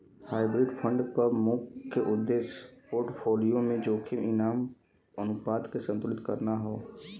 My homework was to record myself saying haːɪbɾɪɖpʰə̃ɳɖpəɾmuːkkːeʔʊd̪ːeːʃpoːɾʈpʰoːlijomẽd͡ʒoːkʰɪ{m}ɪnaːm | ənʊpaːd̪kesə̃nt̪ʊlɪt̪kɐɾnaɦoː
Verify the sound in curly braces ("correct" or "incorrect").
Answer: correct